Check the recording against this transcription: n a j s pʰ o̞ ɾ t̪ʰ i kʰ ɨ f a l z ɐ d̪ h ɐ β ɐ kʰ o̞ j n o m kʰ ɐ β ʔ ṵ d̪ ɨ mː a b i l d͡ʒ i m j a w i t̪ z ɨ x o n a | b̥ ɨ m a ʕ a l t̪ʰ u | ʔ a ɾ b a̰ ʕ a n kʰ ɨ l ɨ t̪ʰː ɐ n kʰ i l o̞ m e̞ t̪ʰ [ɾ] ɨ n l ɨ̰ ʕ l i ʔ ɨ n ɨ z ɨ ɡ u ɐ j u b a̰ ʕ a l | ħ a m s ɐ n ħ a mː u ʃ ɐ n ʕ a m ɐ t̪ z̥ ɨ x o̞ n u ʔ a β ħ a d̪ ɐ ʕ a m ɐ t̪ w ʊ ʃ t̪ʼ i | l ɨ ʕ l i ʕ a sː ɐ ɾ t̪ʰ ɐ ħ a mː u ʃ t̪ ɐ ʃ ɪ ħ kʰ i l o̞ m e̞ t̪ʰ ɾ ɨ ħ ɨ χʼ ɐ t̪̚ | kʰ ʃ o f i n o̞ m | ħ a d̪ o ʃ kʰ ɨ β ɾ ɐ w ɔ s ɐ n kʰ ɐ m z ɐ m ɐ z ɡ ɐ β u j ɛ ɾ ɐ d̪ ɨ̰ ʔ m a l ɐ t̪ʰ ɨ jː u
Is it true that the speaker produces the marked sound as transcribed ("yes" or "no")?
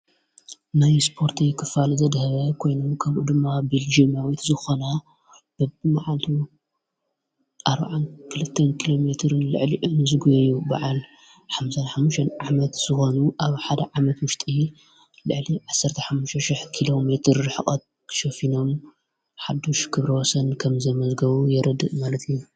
yes